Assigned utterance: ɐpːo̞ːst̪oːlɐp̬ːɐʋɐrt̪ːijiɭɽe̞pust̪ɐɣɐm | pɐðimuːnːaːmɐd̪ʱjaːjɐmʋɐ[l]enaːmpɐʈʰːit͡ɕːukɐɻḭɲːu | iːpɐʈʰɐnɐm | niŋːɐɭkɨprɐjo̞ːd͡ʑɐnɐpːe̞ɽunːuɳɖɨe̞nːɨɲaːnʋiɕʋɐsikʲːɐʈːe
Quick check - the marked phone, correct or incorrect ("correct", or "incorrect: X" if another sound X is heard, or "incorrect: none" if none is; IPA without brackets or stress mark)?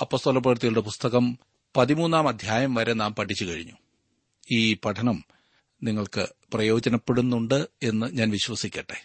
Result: incorrect: ɾ